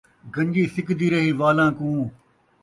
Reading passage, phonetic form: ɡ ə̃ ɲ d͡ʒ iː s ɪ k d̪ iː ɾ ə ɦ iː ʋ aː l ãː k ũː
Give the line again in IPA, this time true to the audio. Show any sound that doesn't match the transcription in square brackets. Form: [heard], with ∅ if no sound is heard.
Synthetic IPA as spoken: ɡ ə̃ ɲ d͡ʒ iː s ɪ k d̪ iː ɾ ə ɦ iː ʋ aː l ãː k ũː